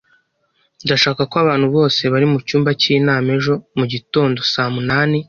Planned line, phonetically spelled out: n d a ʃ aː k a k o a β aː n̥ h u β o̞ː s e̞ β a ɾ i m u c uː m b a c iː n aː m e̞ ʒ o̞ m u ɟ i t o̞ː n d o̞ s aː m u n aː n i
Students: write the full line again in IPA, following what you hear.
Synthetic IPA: n d a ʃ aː k a k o a β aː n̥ h u β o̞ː s e̞ β a ɾ i m u c uː m b a c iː n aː m e̞ ʒ o̞ m u ɟ i t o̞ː n d o̞ s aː m u n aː n i